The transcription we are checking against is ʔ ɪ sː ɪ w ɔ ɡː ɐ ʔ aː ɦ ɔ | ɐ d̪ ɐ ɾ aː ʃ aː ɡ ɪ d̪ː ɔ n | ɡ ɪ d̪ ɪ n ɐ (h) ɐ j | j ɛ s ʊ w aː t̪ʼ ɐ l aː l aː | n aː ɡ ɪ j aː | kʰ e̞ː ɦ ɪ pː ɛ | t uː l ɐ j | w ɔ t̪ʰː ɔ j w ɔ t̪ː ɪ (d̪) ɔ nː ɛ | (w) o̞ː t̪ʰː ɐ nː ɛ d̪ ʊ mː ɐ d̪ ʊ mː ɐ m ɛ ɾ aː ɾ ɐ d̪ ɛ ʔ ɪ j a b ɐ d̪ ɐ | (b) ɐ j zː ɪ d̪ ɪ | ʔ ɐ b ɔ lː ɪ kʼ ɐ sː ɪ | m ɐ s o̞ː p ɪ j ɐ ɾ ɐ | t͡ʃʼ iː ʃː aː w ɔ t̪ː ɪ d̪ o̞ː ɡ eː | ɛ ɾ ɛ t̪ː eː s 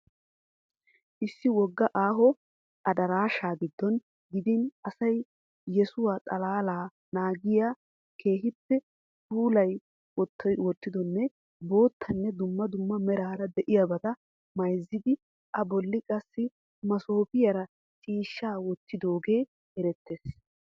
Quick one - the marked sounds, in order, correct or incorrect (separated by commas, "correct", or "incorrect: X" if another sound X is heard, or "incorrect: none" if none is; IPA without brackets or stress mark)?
incorrect: s, correct, incorrect: b, incorrect: m